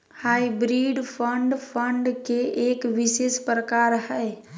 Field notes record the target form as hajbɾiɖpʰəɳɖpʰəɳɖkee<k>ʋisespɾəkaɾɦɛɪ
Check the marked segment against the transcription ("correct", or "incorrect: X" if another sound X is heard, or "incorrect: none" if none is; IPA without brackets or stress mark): correct